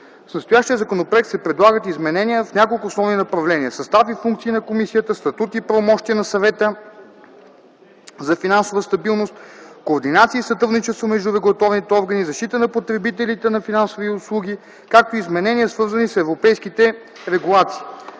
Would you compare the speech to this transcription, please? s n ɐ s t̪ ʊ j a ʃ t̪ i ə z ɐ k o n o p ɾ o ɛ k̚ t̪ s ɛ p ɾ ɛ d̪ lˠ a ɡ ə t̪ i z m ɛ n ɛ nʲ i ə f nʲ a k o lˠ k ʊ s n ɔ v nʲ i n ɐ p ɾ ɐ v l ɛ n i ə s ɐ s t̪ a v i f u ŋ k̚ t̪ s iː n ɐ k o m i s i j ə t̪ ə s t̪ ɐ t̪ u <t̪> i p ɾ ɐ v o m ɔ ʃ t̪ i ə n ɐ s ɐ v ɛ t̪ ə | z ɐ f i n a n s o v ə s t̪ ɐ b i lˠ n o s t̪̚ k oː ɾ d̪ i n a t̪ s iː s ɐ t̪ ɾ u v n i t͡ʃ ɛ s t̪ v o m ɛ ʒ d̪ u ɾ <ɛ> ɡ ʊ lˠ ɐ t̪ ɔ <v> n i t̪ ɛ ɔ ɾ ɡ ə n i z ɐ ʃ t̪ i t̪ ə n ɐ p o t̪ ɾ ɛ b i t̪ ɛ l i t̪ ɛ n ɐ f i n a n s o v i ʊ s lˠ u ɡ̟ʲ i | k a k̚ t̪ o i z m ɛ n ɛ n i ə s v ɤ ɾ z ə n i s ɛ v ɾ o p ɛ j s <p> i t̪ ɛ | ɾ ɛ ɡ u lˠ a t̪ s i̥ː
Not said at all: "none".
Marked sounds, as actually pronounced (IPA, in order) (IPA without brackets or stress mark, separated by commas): t̪, ɛ, v, k